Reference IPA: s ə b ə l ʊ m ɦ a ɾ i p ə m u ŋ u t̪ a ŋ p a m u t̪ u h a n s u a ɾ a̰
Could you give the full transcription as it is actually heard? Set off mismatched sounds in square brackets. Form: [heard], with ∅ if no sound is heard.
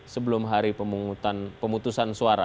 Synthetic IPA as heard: s ə b ə l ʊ m ɦ a ɾ i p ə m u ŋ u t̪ a [n] p [ə] m u t̪ u [s] a n s u a ɾ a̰